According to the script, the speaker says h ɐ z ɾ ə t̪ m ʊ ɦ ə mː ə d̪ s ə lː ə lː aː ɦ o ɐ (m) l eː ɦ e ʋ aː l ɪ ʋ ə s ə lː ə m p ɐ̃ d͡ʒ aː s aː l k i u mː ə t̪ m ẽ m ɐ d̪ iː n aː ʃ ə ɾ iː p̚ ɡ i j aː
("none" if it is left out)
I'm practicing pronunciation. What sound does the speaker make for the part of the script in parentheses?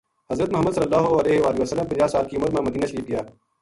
none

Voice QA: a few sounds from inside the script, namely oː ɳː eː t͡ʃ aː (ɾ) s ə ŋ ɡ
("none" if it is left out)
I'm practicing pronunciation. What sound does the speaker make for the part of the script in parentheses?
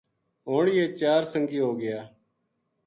ɾ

